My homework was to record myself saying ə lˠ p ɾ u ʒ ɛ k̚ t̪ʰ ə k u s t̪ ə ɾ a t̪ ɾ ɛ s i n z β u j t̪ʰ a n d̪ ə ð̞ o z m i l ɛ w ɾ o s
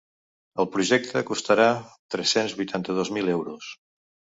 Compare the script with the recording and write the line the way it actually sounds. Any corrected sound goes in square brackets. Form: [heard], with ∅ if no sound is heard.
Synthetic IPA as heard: ə lˠ p ɾ u ʒ ɛ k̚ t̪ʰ ə k u s t̪ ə ɾ a t̪ ɾ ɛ s [e] n z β u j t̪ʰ a n [t̪] ə ð̞ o z m i l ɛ w ɾ [u] s